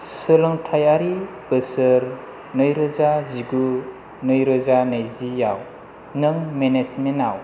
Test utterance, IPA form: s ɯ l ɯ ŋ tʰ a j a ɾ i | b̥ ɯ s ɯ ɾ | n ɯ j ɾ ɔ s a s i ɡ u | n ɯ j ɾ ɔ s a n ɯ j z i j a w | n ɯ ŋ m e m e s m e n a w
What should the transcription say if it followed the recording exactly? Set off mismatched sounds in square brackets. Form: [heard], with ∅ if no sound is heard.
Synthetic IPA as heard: s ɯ l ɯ ŋ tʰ a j a ɾ i | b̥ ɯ s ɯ ɾ | n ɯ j ɾ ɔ [z] a [z] i ɡ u | n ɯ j ɾ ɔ [z] a n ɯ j z i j a w | n ɯ ŋ m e [n] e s m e n a w